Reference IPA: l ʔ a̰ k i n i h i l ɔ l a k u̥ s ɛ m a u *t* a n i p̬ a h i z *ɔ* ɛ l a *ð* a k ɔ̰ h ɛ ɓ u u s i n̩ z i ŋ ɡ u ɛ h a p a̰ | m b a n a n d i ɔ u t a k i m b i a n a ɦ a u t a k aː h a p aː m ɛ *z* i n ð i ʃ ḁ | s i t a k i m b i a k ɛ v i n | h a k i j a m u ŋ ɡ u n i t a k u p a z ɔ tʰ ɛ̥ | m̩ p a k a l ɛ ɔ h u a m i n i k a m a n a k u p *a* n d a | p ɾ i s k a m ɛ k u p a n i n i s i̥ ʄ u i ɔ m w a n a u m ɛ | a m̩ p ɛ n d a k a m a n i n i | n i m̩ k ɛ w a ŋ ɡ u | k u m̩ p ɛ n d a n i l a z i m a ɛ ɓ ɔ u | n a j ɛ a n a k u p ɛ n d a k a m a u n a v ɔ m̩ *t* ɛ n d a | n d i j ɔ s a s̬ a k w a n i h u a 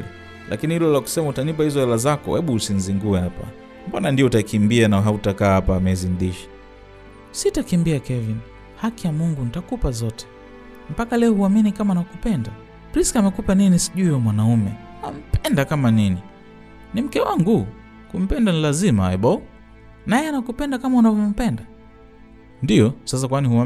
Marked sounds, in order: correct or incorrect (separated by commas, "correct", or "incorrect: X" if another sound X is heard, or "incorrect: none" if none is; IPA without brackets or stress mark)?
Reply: correct, correct, incorrect: z, correct, incorrect: ɛ, incorrect: p